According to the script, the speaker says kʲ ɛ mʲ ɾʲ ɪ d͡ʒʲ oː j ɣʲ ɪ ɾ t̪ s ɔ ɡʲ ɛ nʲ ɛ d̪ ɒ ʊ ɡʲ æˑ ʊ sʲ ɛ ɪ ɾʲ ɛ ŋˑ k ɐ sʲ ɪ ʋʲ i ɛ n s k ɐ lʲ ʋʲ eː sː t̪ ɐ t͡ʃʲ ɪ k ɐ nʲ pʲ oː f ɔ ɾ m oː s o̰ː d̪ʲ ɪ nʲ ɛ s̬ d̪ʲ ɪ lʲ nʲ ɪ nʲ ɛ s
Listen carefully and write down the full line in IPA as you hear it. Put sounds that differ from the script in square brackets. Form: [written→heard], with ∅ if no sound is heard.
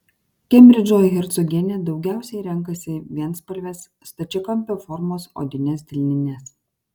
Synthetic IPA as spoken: kʲ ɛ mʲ ɾʲ ɪ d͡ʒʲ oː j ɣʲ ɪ ɾ t̪ s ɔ ɡʲ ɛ nʲ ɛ d̪ ɒ ʊ ɡʲ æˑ ʊ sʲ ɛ ɪ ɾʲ ɛ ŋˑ k ɐ sʲ ɪ ʋʲ i ɛ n s [k→p] ɐ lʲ ʋʲ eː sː t̪ ɐ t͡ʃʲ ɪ k ɐ [nʲ→mʲ] pʲ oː f ɔ ɾ m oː s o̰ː d̪ʲ ɪ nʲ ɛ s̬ d̪ʲ ɪ lʲ nʲ ɪ nʲ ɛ s